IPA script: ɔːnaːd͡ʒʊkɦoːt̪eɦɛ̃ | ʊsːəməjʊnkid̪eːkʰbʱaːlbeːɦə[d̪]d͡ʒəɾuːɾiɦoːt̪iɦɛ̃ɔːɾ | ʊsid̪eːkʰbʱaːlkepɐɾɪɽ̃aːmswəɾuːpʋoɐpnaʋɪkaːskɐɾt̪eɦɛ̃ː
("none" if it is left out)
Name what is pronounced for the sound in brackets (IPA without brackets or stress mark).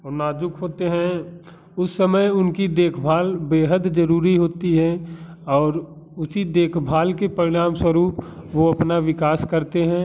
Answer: d̪